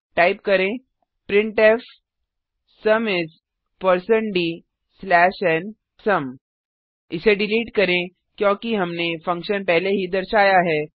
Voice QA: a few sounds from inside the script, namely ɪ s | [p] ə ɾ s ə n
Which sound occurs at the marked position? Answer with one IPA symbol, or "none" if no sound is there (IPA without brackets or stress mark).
p